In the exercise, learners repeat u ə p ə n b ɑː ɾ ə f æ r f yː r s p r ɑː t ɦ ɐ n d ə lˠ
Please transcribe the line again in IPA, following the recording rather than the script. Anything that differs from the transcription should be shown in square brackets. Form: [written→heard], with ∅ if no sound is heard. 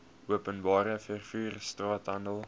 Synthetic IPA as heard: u ə p ə n b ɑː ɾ ə f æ r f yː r s [p→t] r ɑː t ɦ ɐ n d ə lˠ